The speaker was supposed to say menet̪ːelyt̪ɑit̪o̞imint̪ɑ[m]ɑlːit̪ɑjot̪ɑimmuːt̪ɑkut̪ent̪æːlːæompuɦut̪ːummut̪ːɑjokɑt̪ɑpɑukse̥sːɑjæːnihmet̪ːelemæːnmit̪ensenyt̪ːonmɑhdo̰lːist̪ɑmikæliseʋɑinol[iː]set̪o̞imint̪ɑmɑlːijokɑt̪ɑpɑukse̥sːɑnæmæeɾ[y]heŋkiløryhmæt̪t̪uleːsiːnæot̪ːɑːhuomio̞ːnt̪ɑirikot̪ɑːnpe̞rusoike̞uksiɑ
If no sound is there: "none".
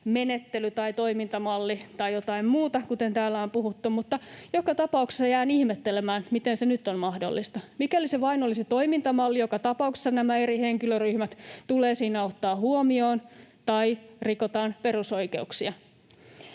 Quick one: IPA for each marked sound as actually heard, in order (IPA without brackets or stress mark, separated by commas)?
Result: m, i, i